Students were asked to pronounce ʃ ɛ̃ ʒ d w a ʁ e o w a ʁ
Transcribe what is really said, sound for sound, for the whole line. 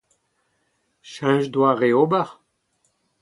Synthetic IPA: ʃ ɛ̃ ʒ d w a ʁ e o b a ʁ